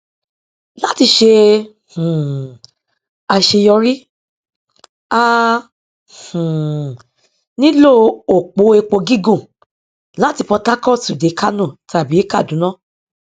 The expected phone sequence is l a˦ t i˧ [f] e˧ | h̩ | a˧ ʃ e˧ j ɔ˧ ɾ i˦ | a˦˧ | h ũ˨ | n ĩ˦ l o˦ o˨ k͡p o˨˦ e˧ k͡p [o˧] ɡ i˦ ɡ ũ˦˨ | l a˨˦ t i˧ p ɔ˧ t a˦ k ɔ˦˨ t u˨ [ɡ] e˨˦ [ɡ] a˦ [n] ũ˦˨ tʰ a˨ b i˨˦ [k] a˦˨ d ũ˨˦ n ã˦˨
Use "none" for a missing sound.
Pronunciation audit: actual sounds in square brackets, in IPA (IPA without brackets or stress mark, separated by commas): ʃ, o˧, d, k, n, k